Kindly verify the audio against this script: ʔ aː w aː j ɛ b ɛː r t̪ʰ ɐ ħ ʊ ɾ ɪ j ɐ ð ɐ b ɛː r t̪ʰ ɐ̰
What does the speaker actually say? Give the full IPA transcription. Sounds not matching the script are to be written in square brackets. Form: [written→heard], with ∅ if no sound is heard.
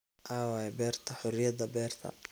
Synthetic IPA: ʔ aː w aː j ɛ b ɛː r t̪ʰ ɐ ħ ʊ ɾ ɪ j ɐ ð ɐ b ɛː r t̪ʰ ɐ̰